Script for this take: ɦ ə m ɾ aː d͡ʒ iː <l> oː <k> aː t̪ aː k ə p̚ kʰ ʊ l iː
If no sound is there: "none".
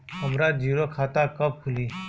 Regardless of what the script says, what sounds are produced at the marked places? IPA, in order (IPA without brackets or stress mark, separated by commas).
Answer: ɾ, kʰ